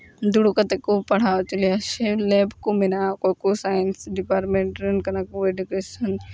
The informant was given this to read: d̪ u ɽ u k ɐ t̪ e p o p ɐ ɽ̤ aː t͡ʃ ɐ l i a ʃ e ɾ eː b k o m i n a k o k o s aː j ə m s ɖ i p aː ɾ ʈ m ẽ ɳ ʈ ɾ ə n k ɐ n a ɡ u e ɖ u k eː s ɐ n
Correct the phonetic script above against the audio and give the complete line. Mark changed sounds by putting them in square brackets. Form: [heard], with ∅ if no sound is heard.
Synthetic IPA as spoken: d̪ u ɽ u k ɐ t̪ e [k] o p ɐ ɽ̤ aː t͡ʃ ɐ l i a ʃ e [l] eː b k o m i n a k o k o s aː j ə [n] s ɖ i p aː ɾ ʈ m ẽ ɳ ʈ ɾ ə n k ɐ n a [k] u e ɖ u k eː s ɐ n